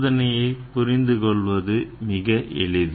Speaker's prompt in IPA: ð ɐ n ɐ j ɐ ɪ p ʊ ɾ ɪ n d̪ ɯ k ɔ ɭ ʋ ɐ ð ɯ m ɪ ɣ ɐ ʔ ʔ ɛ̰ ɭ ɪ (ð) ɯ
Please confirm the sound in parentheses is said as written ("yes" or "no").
yes